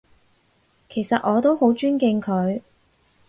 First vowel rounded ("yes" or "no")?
no